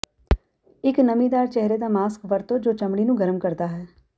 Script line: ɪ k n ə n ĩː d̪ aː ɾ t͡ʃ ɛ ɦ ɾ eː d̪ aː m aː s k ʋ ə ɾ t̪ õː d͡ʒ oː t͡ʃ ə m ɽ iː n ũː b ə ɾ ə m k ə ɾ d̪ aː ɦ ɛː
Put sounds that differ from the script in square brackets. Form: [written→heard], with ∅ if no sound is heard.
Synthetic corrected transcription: ɪ k n ə [n→m] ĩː d̪ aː ɾ t͡ʃ ɛ ɦ ɾ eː d̪ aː m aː s k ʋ ə ɾ t̪ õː d͡ʒ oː t͡ʃ ə m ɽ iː n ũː [b→ɡ] ə ɾ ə m k ə ɾ d̪ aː ɦ ɛː